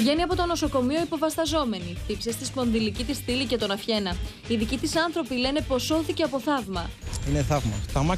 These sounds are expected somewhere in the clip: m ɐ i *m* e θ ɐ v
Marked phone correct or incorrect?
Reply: incorrect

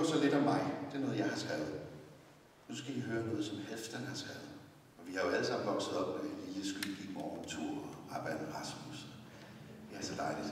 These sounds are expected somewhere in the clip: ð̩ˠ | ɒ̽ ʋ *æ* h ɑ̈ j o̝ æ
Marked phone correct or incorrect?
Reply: incorrect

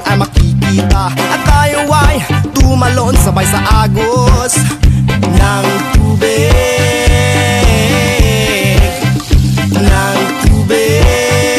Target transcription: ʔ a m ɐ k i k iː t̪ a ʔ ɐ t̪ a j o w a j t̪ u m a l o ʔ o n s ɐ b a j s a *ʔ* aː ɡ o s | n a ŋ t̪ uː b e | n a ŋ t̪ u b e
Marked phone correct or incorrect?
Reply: correct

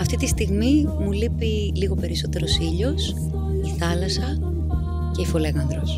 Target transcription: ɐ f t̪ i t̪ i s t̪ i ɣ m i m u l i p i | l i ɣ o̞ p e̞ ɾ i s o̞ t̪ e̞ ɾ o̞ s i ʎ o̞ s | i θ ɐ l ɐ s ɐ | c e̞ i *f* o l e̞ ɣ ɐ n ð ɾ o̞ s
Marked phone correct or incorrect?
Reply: correct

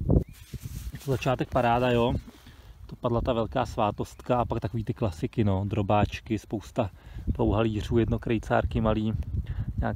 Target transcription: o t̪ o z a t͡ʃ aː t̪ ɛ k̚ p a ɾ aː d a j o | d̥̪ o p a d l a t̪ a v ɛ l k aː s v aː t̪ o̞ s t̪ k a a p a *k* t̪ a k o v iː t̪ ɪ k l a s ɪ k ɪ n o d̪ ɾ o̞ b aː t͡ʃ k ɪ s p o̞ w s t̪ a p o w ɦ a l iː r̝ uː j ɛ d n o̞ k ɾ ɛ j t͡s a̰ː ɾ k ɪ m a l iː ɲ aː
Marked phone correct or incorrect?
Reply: correct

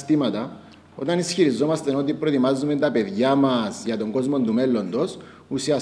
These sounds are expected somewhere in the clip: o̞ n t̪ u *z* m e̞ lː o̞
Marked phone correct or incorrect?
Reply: incorrect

